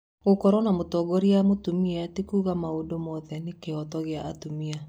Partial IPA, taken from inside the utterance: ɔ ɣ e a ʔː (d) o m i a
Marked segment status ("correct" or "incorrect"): incorrect